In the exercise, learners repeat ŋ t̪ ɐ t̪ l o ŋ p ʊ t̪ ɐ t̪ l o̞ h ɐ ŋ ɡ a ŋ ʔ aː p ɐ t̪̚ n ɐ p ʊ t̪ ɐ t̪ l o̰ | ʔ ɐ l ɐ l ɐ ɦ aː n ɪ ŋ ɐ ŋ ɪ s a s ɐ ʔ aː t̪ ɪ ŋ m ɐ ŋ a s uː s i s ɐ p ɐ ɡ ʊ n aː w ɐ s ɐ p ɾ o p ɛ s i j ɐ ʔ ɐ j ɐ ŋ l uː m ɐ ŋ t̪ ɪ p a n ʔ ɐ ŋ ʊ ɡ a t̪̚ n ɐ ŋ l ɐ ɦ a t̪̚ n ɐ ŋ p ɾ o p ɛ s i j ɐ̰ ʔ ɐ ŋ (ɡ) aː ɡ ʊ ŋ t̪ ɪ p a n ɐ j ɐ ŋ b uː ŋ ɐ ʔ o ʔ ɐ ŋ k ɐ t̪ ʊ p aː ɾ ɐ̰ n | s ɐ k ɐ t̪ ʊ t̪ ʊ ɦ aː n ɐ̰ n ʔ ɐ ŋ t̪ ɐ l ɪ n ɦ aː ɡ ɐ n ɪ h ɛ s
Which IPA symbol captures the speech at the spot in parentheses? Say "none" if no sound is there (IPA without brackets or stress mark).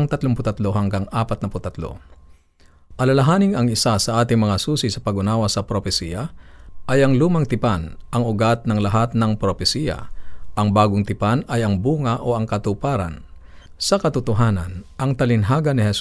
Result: b